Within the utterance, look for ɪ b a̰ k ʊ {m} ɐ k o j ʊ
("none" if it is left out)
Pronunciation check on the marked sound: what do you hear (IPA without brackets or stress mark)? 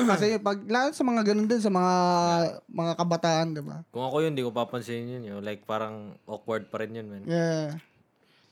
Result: ŋ